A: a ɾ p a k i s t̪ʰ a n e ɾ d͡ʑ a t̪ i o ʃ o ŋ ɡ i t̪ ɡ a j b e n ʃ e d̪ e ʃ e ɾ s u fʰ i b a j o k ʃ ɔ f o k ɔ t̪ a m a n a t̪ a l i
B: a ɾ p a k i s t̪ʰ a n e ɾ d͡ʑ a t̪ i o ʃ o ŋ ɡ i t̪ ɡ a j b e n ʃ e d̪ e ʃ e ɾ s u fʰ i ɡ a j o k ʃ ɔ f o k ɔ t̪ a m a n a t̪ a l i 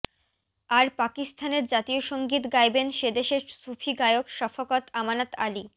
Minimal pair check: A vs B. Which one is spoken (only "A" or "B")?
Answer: B